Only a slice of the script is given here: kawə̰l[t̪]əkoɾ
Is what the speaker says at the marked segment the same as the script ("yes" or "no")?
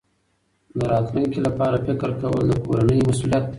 no